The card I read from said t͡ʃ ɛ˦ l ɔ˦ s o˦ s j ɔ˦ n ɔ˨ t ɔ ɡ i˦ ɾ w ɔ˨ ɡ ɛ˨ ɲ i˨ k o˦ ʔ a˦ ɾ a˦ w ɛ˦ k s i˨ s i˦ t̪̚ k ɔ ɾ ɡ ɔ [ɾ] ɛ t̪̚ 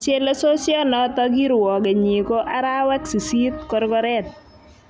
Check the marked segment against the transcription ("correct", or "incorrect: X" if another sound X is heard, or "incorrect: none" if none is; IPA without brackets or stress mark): correct